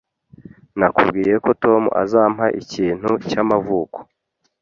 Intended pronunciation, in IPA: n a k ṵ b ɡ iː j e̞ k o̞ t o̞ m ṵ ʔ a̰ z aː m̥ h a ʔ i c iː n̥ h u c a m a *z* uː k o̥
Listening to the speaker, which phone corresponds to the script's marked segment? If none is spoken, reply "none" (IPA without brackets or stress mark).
v